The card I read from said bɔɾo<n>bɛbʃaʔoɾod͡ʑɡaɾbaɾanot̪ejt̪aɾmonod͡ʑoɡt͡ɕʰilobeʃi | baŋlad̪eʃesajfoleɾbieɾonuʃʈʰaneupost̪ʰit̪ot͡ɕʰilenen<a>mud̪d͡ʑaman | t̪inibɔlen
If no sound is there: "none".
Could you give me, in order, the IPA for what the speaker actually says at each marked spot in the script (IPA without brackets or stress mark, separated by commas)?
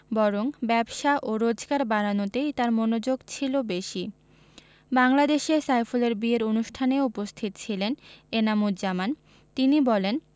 ŋ, a